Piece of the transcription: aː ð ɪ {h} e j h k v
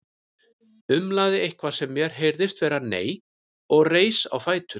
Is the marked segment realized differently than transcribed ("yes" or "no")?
yes